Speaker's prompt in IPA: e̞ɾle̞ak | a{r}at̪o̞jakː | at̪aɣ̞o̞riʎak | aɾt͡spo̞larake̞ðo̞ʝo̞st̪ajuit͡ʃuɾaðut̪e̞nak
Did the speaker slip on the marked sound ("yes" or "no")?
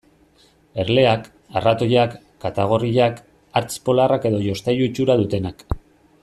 no